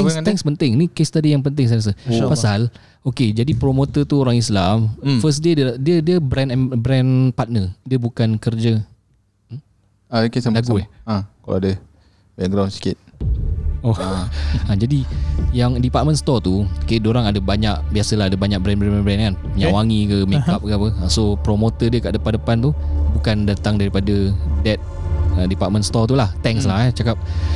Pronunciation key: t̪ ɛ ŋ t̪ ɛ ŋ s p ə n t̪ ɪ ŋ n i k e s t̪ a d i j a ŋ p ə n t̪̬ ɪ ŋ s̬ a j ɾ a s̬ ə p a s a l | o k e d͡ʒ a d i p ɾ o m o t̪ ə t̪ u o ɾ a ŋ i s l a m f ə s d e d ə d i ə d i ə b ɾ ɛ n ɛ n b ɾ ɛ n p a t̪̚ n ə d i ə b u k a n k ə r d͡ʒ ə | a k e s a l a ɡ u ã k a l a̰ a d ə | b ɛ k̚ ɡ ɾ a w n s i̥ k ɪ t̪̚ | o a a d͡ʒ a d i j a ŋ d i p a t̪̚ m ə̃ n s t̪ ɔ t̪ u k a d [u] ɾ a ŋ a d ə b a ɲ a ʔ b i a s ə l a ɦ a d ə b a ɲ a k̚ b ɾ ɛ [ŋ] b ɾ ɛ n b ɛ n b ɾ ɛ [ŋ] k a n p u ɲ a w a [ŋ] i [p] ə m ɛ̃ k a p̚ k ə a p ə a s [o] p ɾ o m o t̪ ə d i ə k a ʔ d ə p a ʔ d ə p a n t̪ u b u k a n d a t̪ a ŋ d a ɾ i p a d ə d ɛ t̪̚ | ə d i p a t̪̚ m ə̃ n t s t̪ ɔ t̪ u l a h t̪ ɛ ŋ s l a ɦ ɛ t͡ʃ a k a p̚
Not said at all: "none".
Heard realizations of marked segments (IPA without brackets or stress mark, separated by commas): o, n, n, ŋ, k, o